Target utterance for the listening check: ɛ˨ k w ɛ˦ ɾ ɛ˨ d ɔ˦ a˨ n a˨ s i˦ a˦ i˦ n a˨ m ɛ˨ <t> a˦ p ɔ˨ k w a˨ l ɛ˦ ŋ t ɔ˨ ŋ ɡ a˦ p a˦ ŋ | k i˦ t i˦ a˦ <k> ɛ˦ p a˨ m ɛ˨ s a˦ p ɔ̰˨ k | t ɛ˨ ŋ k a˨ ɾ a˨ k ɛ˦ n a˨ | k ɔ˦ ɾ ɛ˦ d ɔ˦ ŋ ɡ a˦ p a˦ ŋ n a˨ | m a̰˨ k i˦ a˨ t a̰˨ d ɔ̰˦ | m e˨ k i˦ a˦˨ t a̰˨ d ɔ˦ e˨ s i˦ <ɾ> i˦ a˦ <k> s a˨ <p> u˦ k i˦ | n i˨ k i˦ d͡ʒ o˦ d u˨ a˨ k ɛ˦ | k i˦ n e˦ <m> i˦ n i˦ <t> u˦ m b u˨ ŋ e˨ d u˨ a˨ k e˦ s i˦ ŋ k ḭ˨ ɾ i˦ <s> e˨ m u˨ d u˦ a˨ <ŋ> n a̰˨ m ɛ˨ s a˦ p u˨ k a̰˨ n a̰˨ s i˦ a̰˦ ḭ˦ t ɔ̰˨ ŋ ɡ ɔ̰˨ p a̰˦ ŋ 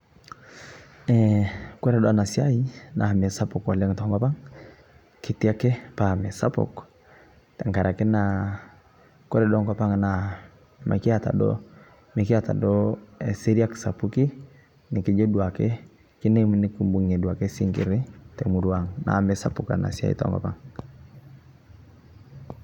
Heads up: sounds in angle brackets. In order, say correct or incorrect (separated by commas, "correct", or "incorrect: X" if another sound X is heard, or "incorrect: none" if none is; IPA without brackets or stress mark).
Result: incorrect: s, correct, correct, correct, correct, correct, incorrect: k, incorrect: t, correct